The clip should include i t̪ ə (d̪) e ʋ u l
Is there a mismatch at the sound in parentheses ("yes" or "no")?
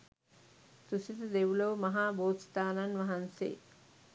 no